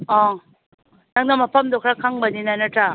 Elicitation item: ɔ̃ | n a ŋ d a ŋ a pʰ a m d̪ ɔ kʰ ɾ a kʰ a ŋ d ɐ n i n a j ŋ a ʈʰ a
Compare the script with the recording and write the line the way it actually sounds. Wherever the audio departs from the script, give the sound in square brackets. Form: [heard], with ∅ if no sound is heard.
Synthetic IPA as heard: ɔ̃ | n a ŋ [n] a [m] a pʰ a m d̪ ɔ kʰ ɾ a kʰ a ŋ [b] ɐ n i n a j [n] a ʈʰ a

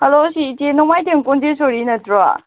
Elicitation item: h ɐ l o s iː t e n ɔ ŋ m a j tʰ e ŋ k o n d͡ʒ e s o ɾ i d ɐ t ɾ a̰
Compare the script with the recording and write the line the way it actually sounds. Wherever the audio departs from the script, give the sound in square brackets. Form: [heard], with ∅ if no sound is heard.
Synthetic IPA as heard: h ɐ l o s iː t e n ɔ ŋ m a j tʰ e ŋ k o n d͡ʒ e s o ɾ i [n] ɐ t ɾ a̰

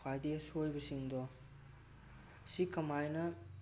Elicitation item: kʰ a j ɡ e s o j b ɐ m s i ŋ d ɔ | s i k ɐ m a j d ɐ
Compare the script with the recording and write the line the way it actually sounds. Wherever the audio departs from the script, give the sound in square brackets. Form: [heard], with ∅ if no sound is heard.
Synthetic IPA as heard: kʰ a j [d] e s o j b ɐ [∅] s i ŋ d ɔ | s i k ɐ m a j [n] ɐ

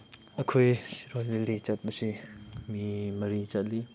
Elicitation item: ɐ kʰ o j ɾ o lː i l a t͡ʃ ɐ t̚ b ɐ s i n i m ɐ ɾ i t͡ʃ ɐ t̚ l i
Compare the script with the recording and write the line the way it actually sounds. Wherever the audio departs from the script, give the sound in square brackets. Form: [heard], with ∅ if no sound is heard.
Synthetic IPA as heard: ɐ kʰ o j ɾ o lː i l [i] t͡ʃ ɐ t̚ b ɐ s i [m] i m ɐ ɾ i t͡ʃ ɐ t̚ l i

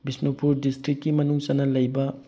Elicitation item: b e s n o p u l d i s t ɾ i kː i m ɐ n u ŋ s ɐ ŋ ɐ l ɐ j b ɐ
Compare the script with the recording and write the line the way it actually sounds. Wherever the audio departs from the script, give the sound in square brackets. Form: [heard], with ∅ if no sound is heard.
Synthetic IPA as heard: b [i] s n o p u [ɾ] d i s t ɾ i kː i m ɐ n u ŋ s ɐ [n] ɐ l ɐ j b ɐ

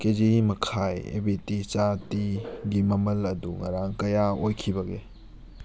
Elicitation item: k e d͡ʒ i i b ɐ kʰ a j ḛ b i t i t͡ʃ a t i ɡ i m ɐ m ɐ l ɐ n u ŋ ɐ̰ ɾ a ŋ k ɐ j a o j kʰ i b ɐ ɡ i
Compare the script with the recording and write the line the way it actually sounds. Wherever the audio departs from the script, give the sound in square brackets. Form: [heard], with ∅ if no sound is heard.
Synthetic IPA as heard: k e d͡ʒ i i [m] ɐ kʰ a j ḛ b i t i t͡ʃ a t i ɡ i m ɐ m ɐ l ɐ [d] u ŋ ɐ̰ ɾ a ŋ k ɐ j a o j kʰ i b ɐ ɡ [e]

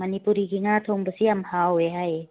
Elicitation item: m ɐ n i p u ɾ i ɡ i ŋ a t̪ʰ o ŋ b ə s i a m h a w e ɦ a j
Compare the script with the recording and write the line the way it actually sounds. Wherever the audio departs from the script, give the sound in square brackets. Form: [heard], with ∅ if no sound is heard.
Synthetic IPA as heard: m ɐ n i p u ɾ i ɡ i ŋ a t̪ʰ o ŋ b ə s i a m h a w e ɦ a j

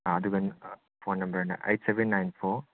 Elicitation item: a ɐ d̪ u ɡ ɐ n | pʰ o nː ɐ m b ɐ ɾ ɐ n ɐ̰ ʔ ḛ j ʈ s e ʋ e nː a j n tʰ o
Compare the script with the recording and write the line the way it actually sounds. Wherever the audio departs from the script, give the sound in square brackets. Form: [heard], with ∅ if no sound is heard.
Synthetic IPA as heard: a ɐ d̪ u ɡ ɐ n | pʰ o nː ɐ m b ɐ ɾ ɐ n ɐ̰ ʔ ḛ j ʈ s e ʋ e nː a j n [pʰ] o

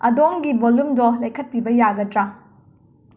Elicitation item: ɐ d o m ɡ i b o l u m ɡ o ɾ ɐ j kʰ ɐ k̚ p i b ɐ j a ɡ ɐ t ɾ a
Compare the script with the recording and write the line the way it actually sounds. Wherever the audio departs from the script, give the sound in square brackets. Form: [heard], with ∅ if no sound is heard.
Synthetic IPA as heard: ɐ d o [ŋ] ɡ i b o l u m [d] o [l] ɐ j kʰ ɐ [t̚] p i b ɐ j a ɡ ɐ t ɾ a

